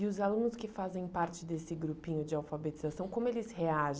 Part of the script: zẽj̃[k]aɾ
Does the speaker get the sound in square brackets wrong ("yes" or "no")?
yes